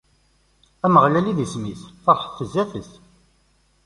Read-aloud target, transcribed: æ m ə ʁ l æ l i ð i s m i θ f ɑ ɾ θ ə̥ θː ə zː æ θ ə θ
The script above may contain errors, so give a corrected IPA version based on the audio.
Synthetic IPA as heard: æ m ə ʁ l æ l i ð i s m i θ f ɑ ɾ ħ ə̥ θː ə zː æ θ ə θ